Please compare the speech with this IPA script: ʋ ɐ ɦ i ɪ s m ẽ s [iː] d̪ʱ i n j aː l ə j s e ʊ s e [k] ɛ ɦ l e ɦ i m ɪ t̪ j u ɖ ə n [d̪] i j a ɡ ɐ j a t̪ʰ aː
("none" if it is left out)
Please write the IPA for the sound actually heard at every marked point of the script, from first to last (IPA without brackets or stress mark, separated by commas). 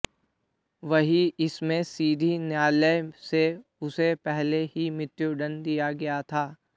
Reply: iː, p, d̪